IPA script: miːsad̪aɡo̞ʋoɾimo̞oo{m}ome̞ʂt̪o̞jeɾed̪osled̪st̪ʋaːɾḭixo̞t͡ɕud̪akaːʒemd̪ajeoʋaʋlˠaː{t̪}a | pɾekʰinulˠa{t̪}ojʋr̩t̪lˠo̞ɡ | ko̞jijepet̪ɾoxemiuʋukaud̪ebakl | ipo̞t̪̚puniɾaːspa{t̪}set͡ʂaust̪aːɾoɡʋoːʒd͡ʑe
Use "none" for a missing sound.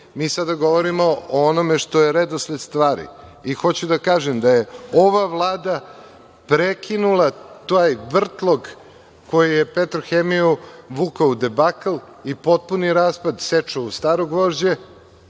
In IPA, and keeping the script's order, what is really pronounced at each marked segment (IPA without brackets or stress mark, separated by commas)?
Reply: n, d̪, t̪, d̪